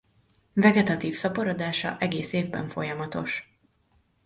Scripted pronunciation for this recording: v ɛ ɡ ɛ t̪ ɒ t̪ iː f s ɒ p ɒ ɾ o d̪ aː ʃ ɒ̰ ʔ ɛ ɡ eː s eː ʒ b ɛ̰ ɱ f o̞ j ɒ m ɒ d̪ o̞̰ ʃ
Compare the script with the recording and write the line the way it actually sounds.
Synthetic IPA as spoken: v ɛ ɡ ɛ t̪ ɒ t̪ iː f s ɒ p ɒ ɾ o d̪ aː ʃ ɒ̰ ʔ ɛ ɡ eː s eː v b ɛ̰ ɱ f o̞ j ɒ m ɒ t̪ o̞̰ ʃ